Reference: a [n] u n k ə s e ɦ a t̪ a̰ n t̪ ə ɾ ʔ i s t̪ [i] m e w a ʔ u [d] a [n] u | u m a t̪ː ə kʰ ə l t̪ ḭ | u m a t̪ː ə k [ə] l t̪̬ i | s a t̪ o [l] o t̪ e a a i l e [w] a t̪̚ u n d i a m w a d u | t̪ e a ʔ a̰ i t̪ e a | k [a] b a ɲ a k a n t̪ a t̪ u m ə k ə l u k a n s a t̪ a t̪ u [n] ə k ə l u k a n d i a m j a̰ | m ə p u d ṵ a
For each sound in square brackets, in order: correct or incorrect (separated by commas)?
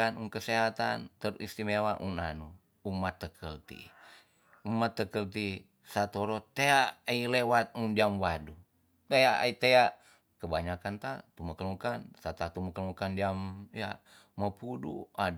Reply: correct, correct, incorrect, correct, correct, incorrect, correct, incorrect, incorrect